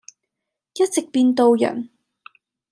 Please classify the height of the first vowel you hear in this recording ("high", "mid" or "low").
low